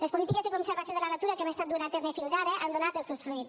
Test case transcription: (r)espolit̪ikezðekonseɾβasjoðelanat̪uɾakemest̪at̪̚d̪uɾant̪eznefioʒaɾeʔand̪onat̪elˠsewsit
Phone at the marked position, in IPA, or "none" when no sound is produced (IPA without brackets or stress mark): l